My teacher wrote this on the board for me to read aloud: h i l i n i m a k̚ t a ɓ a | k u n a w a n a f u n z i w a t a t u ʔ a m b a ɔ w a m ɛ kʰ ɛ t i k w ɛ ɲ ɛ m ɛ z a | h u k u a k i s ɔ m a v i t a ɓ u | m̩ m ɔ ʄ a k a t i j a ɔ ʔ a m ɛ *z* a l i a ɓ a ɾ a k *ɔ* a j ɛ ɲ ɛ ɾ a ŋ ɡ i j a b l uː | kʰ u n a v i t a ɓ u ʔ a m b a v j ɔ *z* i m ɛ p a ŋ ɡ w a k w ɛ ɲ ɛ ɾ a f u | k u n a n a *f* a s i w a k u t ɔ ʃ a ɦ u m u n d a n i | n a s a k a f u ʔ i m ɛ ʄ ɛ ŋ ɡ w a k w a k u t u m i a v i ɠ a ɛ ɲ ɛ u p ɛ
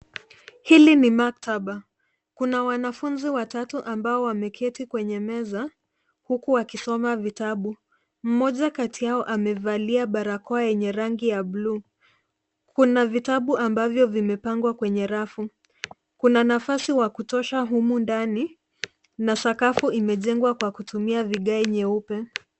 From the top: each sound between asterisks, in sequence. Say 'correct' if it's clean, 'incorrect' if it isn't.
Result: incorrect, correct, incorrect, correct

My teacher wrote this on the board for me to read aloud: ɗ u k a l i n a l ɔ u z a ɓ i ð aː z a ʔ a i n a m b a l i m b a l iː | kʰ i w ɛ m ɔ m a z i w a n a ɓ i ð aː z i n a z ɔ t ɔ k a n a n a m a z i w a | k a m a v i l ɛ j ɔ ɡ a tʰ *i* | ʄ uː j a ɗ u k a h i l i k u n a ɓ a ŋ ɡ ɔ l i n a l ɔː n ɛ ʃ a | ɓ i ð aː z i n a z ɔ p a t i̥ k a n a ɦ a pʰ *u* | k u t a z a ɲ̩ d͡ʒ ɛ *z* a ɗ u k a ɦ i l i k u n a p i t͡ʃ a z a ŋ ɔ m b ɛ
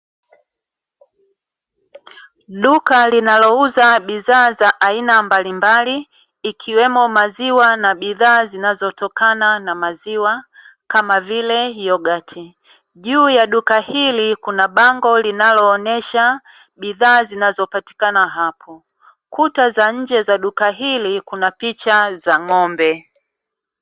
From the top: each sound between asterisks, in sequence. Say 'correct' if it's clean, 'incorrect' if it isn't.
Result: correct, incorrect, correct

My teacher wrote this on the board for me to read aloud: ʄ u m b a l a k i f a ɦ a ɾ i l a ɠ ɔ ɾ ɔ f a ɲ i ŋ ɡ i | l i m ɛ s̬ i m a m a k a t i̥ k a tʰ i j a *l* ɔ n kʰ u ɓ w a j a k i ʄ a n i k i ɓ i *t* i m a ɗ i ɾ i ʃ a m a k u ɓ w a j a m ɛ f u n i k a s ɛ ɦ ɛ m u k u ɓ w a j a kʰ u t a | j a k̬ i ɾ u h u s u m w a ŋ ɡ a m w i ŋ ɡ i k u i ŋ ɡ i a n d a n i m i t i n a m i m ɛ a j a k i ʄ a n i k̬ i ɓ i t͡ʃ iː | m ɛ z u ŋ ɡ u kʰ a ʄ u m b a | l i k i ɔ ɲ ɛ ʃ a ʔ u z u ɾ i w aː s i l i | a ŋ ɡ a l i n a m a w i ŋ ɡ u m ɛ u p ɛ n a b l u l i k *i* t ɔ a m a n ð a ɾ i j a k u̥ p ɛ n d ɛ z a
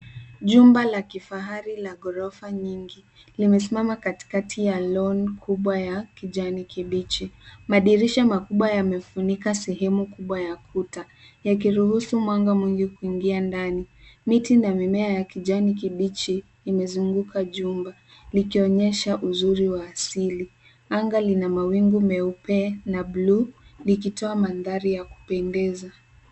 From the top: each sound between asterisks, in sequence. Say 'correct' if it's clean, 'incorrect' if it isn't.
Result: correct, incorrect, correct

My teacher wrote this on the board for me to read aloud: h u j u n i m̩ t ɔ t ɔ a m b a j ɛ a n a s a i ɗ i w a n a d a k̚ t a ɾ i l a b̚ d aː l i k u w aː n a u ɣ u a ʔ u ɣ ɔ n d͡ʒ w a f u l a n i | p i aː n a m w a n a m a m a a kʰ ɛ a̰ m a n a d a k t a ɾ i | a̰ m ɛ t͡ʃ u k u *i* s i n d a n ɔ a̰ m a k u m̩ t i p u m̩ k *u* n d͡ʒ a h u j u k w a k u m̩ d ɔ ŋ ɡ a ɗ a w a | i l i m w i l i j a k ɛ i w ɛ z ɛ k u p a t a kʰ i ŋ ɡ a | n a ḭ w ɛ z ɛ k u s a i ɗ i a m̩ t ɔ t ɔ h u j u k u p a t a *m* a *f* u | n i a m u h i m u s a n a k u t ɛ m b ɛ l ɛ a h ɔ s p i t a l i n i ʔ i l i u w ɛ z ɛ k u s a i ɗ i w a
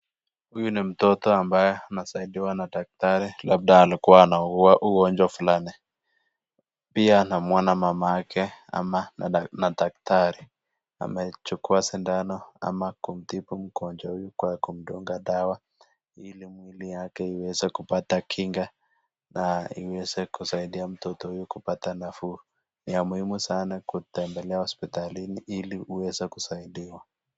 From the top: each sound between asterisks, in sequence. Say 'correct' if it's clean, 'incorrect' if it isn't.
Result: incorrect, incorrect, incorrect, correct

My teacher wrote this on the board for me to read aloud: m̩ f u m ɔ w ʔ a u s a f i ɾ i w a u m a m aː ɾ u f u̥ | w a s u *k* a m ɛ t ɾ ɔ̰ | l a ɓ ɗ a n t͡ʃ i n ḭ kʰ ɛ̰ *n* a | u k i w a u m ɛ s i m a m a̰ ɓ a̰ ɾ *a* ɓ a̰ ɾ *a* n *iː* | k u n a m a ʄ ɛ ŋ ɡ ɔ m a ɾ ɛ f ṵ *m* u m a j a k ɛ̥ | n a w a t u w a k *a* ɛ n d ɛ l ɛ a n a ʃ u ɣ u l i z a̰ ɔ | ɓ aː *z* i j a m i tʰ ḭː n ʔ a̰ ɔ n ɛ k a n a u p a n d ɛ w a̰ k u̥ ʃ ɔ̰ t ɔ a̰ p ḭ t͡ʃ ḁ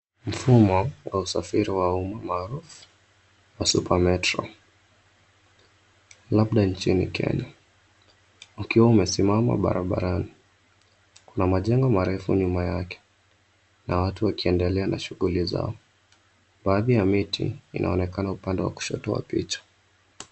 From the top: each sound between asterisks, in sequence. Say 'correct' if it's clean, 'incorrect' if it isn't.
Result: incorrect, incorrect, correct, correct, incorrect, incorrect, incorrect, incorrect

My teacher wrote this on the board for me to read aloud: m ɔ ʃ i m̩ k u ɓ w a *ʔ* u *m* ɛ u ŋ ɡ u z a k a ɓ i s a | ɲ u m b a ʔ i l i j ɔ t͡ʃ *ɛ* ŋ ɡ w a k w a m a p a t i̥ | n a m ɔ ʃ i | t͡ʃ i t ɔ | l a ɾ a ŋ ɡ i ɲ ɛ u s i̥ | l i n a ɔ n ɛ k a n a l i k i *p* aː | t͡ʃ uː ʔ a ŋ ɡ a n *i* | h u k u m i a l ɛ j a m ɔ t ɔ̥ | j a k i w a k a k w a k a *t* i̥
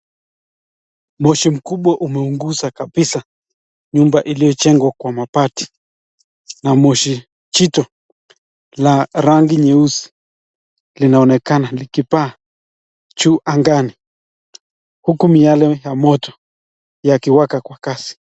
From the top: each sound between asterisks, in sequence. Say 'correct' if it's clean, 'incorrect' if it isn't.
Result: correct, correct, correct, correct, correct, incorrect

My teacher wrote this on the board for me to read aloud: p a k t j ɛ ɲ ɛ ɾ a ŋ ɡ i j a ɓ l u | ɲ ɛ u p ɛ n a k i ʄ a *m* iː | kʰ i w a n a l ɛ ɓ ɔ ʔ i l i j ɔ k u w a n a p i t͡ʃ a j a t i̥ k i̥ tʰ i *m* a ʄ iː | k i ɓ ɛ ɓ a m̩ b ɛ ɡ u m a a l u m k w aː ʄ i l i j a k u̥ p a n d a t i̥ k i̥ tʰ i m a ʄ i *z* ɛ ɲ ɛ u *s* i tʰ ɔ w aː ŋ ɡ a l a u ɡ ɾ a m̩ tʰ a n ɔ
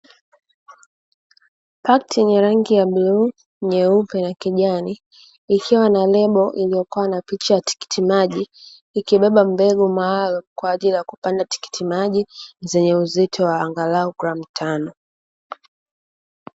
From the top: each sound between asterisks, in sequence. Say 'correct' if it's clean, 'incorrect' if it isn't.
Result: incorrect, correct, correct, incorrect

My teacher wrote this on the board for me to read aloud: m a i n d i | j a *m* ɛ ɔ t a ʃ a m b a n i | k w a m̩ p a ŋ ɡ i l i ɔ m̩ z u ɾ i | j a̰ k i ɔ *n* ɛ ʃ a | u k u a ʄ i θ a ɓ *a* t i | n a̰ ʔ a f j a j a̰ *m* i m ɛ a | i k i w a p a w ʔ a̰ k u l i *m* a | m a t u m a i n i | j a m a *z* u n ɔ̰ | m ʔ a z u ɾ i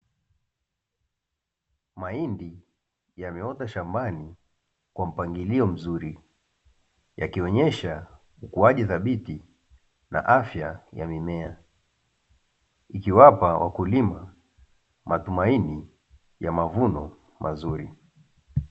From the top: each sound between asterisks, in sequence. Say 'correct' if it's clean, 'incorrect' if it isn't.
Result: correct, incorrect, incorrect, correct, correct, incorrect

